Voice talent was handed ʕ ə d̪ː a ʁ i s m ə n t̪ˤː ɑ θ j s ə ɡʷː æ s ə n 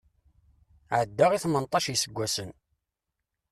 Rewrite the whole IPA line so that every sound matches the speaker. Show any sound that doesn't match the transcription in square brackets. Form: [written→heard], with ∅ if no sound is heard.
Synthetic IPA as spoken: ʕ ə d̪ː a ʁ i [s→θ] m ə n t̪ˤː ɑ [θ→ʃ] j s ə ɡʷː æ s ə n